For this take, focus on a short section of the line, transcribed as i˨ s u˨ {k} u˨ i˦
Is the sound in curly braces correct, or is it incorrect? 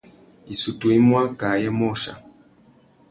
incorrect